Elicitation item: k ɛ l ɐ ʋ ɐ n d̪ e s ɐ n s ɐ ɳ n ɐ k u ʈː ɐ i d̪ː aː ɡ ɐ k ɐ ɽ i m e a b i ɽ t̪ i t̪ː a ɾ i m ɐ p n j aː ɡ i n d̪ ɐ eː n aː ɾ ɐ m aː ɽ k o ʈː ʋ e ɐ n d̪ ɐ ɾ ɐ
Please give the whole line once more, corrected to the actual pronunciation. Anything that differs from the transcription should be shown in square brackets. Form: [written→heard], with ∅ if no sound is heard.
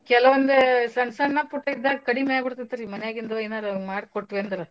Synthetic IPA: k ɛ l ɐ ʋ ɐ n d̪ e s ɐ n s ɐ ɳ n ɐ [k→p] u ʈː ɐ i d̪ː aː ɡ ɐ k ɐ ɽ i m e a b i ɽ t̪ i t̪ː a ɾ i m ɐ [p→∅] n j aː ɡ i n d̪ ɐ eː n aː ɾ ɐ m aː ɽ k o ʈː ʋ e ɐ n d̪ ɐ ɾ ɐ